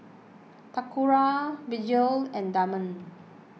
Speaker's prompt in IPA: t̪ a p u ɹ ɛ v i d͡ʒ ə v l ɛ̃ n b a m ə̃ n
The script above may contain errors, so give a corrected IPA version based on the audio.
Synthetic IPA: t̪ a k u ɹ a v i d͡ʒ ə l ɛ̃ n d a m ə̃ n